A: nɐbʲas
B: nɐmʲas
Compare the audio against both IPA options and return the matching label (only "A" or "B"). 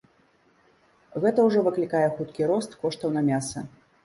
B